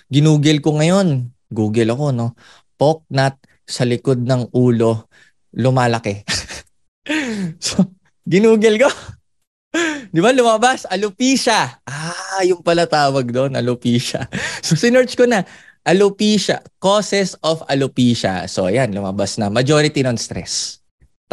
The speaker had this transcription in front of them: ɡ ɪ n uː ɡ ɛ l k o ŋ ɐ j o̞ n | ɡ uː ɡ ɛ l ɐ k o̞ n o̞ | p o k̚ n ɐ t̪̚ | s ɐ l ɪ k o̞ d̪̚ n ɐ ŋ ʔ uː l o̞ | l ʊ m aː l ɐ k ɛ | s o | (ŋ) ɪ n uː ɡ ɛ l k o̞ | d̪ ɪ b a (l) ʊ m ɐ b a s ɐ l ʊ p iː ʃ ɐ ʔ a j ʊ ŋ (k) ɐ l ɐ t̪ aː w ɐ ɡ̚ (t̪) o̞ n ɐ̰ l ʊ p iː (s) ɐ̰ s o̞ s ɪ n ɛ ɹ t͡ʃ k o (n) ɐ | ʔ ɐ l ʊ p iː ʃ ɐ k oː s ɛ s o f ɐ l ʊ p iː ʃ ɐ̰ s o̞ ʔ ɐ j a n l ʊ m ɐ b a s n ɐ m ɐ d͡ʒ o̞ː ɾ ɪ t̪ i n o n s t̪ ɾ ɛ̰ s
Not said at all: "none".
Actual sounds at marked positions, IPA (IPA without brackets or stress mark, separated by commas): ɡ, l, p, d̪, ʃ, n